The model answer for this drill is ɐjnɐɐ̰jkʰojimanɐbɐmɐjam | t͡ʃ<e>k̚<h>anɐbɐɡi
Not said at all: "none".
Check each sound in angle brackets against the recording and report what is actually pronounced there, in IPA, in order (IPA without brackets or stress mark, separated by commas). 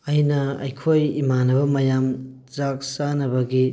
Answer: a, s